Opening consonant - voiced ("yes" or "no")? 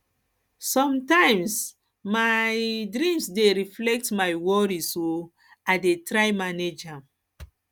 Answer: no